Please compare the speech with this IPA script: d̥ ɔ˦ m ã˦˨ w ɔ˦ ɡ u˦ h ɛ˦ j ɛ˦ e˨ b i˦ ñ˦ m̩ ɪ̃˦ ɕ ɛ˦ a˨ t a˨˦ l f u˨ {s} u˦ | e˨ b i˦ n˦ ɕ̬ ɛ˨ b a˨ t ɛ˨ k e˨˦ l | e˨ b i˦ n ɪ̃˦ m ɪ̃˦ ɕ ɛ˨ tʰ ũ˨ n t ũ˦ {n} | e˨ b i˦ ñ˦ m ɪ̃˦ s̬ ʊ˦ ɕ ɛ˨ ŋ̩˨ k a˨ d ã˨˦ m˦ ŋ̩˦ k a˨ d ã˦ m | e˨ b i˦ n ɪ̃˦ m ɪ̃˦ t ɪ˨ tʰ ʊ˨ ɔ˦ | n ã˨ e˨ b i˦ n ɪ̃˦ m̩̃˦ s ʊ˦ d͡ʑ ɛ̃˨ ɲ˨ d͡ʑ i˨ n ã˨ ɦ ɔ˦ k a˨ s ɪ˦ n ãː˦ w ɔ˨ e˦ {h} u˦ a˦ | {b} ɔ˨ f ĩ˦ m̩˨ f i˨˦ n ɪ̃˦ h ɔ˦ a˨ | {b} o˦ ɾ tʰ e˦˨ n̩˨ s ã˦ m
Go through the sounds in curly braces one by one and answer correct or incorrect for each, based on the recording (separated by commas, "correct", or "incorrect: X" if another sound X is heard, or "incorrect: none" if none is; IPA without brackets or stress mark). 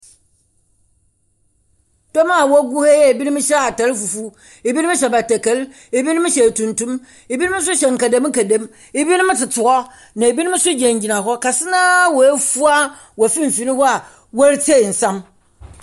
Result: incorrect: f, incorrect: m, incorrect: f, incorrect: w, incorrect: w